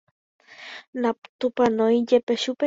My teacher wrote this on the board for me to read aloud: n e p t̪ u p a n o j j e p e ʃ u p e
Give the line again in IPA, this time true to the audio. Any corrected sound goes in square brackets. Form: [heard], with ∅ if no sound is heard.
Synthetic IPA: n [a] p t̪ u p a n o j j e p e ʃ u p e